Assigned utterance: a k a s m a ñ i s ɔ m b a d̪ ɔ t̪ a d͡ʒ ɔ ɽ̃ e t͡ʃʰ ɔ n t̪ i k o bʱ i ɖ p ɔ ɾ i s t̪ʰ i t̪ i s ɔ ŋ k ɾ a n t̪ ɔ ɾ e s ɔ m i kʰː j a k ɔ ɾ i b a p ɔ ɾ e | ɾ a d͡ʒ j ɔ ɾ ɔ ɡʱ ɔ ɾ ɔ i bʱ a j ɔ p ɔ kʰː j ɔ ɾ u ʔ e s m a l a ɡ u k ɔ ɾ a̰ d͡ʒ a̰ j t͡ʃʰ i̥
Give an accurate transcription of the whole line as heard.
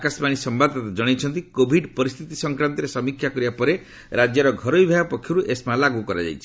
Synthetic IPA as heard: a k a s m a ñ i s ɔ m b a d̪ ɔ t̪ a d͡ʒ ɔ ɽ̃ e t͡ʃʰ ɔ n t̪ i k o bʱ i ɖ p ɔ ɾ i s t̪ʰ i t̪ i s ɔ ŋ k ɾ a n t̪ ɔ ɾ e s ɔ m i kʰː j a k ɔ ɾ i b a p ɔ ɾ e | ɾ a d͡ʒ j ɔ ɾ ɔ ɡʱ ɔ ɾ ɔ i bʱ a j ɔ p ɔ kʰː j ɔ ɾ u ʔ e s m a l a ɡ u k ɔ ɾ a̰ d͡ʒ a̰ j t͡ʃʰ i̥

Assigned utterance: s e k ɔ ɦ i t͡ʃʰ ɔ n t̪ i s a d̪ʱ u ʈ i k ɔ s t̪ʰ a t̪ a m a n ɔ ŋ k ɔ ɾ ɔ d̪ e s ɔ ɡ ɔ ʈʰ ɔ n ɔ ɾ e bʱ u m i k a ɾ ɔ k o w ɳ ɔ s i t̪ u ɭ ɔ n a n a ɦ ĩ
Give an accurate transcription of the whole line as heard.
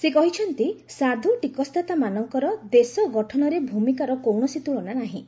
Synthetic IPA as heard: s e k ɔ ɦ i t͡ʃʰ ɔ n t̪ i s a d̪ʱ u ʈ i k ɔ s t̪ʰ a t̪ a m a n ɔ ŋ k ɔ ɾ ɔ d̪ e s ɔ ɡ ɔ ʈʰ ɔ n ɔ ɾ e bʱ u m i k a ɾ ɔ k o w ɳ ɔ s i t̪ u ɭ ɔ n a n a ɦ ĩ

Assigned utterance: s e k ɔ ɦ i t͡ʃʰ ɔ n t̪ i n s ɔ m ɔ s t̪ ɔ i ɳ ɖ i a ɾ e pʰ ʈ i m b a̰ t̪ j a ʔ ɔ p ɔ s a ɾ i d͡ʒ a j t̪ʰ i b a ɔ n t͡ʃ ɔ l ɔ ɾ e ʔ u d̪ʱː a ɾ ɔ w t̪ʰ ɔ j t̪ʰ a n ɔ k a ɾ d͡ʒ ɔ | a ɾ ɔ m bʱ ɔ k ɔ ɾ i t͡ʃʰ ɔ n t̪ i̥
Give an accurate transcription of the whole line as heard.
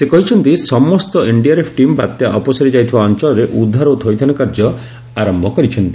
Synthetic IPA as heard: s e k ɔ ɦ i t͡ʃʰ ɔ n t̪ i s ɔ m ɔ s t̪ ɔ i ɳ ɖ i a ɾ e pʰ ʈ i m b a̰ t̪ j a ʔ ɔ p ɔ s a ɾ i d͡ʒ a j t̪ʰ i b a ɔ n t͡ʃ ɔ l ɔ ɾ e ʔ u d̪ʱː a ɾ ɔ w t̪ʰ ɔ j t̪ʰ a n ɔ k a ɾ d͡ʒ ɔ | a ɾ ɔ m bʱ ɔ k ɔ ɾ i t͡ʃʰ ɔ n t̪ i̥

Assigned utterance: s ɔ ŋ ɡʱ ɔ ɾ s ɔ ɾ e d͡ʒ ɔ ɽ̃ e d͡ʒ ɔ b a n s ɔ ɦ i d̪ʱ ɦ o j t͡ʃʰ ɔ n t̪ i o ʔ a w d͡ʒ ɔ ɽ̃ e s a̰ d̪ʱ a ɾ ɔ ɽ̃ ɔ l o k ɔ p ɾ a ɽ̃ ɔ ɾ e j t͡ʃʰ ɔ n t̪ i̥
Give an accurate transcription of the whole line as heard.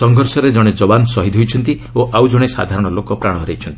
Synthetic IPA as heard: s ɔ ŋ ɡʱ ɔ ɾ s ɔ ɾ e d͡ʒ ɔ ɽ̃ e d͡ʒ ɔ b a n s ɔ ɦ i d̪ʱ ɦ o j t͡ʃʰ ɔ n t̪ i o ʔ a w d͡ʒ ɔ ɽ̃ e s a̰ d̪ʱ a ɾ ɔ ɽ̃ ɔ l o k ɔ p ɾ a ɽ̃ ɔ ɾ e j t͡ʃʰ ɔ n t̪ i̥

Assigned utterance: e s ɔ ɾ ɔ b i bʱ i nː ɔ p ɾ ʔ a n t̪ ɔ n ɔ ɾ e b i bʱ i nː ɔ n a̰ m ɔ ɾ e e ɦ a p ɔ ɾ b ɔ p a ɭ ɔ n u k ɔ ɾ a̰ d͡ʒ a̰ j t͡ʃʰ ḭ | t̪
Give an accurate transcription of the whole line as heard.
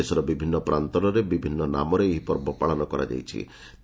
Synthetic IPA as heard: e s ɔ ɾ ɔ b i bʱ i nː ɔ p ɾ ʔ a n t̪ ɔ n ɔ ɾ e b i bʱ i nː ɔ n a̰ m ɔ ɾ e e ɦ i p ɔ ɾ b ɔ p a ɭ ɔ n ɔ k ɔ ɾ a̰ d͡ʒ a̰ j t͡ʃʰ ḭ | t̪

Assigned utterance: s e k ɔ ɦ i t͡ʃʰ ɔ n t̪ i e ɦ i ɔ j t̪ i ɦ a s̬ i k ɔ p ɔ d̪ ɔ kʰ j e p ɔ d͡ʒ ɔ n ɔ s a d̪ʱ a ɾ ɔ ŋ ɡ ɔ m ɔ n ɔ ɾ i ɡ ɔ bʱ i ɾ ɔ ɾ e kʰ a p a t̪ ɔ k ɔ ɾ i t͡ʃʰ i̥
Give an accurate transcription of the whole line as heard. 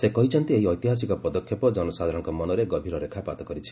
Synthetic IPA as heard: s e k ɔ ɦ i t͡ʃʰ ɔ n t̪ i e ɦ i ɔ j t̪ i ɦ a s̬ i k ɔ p ɔ d̪ ɔ kʰ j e p ɔ d͡ʒ ɔ n ɔ s a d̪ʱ a ɾ ɔ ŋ k ɔ m ɔ n ɔ ɾ e ɡ ɔ bʱ i ɾ ɔ ɾ e kʰ a p a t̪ ɔ k ɔ ɾ i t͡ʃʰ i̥

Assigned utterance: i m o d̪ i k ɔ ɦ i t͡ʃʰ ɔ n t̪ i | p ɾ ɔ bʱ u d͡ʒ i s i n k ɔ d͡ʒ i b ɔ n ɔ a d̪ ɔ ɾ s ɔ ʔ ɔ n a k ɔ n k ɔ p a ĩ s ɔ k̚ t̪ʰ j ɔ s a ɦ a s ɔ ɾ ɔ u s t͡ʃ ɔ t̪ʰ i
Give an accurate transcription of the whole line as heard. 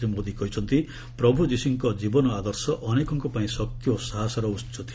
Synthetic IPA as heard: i m o d̪ i k ɔ ɦ i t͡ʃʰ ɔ n t̪ i | p ɾ ɔ bʱ u d͡ʒ i s i ŋ k ɔ d͡ʒ i b ɔ n ɔ a d̪ ɔ ɾ s ɔ ʔ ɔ n e k ɔ ŋ k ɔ p a ĩ s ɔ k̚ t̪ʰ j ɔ s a ɦ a s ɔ ɾ ɔ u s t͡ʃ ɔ t̪ʰ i

